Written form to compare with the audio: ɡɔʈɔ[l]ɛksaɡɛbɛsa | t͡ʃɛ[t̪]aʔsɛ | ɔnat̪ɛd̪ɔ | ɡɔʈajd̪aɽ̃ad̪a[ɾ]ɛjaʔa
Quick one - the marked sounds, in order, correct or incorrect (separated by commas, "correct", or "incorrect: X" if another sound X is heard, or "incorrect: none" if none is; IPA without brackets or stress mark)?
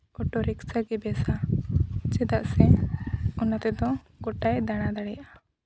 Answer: incorrect: ɾ, incorrect: d̪, incorrect: ɽ